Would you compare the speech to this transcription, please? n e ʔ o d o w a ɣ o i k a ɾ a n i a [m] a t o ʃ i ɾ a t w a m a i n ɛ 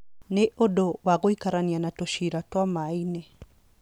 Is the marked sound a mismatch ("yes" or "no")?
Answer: yes